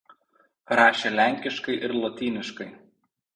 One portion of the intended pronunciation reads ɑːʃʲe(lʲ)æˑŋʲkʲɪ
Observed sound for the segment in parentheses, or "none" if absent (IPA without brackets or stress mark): lʲ